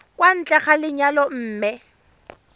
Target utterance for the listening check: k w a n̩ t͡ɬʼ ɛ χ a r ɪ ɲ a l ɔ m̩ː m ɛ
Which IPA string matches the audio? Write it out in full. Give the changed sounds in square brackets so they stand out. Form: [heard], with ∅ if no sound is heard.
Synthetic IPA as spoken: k w a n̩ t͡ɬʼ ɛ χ a [l] ɪ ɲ a l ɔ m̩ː m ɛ